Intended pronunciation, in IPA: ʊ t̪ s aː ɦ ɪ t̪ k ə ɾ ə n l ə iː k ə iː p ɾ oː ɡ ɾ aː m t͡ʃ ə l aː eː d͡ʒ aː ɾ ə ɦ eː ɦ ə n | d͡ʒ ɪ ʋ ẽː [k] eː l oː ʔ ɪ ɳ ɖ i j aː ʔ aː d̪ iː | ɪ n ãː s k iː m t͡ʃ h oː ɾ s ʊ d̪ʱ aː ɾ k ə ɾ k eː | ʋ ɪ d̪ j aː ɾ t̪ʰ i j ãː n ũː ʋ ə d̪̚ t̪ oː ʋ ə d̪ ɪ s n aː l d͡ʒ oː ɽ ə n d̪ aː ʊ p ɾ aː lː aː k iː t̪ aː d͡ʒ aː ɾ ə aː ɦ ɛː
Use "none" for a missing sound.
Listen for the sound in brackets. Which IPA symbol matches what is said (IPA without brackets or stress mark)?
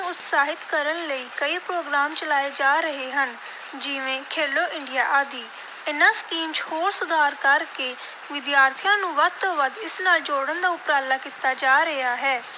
kʰ